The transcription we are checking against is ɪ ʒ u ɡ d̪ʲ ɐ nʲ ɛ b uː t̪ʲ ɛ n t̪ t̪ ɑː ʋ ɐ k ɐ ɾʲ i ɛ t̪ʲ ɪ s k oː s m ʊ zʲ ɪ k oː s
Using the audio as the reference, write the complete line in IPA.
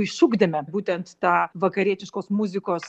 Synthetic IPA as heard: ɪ ʃ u ɡ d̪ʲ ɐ mʲ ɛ b uː t̪ʲ ɛ n t̪ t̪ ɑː ʋ ɐ k ɐ ɾʲ i ɛ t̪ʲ ɪ ʃ k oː s m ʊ zʲ ɪ k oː s